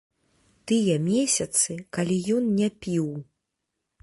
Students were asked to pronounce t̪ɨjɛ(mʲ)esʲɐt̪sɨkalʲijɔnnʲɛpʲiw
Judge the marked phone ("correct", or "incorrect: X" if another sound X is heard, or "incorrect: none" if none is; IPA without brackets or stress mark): correct